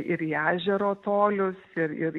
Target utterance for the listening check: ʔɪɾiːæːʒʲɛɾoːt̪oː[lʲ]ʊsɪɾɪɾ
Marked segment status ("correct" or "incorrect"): correct